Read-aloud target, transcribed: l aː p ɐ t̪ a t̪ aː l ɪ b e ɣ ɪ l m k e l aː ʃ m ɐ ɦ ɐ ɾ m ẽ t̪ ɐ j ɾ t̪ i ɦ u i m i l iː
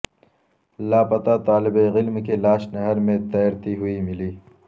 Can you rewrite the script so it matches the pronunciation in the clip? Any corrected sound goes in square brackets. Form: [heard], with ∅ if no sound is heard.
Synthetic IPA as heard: l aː p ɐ t̪ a t̪ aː l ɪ b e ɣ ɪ l m k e l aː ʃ [n] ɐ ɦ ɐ ɾ m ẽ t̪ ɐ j ɾ t̪ i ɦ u i m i l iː

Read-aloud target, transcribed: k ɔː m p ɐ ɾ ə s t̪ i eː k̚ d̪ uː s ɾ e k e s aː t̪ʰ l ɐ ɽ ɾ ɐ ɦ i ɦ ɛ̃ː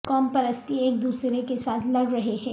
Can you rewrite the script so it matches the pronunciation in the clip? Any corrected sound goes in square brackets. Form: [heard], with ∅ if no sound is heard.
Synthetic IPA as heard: k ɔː m p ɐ ɾ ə s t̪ i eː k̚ d̪ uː s ɾ e k e s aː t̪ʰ l ɐ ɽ ɾ ɐ ɦ [e] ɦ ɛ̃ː

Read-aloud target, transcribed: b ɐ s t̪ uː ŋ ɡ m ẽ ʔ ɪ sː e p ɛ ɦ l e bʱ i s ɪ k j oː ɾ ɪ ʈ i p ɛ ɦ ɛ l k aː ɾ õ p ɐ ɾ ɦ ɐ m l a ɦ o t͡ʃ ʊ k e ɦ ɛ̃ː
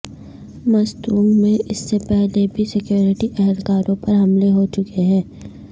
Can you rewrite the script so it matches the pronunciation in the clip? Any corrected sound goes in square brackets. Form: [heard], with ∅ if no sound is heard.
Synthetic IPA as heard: [m] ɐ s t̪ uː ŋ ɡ m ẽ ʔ ɪ sː e p ɛ ɦ l e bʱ i s ɪ k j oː ɾ ɪ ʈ i [ʔ] ɛ ɦ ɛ l k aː ɾ õ p ɐ ɾ ɦ ɐ m l [e] ɦ o t͡ʃ ʊ k e ɦ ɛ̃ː

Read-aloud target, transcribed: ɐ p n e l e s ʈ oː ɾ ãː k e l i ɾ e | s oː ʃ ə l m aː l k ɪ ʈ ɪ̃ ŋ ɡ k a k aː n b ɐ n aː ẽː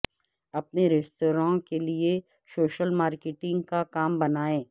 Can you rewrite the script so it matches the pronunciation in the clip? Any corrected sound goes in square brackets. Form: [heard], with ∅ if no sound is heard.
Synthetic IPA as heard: ɐ p n e [ɾ] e s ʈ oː ɾ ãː k e l i [∅] e | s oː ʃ ə l m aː [ɾ] k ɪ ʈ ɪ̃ ŋ ɡ k a k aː [m] b ɐ n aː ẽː

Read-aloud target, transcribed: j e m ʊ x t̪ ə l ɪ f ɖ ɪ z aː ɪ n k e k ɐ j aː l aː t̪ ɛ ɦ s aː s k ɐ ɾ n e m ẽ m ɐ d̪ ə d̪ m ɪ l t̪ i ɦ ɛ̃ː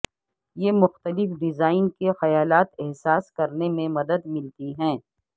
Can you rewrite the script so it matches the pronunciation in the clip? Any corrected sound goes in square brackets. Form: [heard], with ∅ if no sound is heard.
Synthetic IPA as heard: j e m ʊ x t̪ ə l ɪ f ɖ ɪ z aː ɪ n k e [x] ɐ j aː l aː t̪ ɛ ɦ s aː s k ɐ ɾ n e m ẽ m ɐ d̪ ə d̪ m ɪ l t̪ i ɦ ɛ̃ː

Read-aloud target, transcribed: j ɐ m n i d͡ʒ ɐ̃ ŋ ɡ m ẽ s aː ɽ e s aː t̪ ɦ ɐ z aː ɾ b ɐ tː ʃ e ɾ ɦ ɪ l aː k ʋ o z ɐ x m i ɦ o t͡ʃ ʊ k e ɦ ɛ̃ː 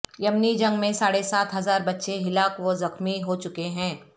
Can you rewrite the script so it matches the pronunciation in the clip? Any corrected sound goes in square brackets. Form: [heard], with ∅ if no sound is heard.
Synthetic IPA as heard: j ɐ m n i d͡ʒ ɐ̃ ŋ ɡ m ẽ s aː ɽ e s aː t̪ ɦ ɐ z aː ɾ b ɐ tː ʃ e [∅] ɦ ɪ l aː k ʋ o z ɐ x m i ɦ o t͡ʃ ʊ k e ɦ ɛ̃ː

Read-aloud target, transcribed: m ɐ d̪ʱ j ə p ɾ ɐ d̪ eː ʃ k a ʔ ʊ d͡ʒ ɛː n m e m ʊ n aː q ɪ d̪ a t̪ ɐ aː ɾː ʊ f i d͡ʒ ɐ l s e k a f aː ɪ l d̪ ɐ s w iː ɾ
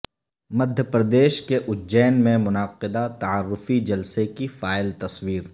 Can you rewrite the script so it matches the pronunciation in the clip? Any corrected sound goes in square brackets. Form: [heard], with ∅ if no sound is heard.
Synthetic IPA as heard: m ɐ d̪ʱ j ə p ɾ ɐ d̪ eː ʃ k [e] ʔ ʊ d͡ʒ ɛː n m [ẽ] m ʊ n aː q ɪ d̪ a t̪ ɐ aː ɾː ʊ f i d͡ʒ ɐ l s e k [i] f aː ɪ l [t̪] ɐ s w iː ɾ

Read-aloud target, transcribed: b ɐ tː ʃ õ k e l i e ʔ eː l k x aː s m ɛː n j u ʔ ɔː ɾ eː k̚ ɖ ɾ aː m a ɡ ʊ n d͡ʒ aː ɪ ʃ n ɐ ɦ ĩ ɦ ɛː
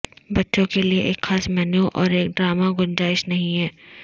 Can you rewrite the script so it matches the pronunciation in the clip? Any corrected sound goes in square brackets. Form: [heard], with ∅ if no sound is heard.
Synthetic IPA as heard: b ɐ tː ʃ õ k e l i e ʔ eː [∅] k x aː s m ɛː n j u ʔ ɔː ɾ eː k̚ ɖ ɾ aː m a ɡ ʊ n d͡ʒ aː ɪ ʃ n ɐ ɦ ĩ ɦ ɛː

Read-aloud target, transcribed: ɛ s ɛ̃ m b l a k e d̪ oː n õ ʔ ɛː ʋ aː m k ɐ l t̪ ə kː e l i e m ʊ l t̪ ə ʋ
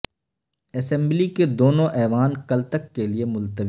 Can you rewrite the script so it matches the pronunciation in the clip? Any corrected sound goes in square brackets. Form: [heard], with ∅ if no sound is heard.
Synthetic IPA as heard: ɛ s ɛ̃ m b l [i] k e d̪ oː n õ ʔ ɛː ʋ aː [n] k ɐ l t̪ ə kː e l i e m ʊ l t̪ ə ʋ

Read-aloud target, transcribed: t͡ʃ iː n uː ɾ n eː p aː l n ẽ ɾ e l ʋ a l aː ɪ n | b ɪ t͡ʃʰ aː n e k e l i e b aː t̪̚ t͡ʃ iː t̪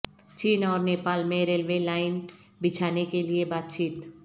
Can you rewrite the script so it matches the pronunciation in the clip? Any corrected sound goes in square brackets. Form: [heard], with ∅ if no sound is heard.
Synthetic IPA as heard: t͡ʃ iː n [ɔː] ɾ n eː p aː l [m] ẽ ɾ e l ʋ [e] l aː ɪ n | b ɪ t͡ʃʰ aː n e k e l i e b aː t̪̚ t͡ʃ iː t̪

